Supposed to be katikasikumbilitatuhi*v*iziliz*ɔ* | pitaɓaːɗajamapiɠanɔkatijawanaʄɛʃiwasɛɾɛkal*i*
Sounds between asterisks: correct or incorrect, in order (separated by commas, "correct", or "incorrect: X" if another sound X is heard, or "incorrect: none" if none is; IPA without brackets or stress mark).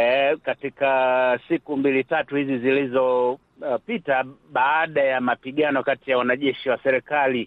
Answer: incorrect: z, correct, correct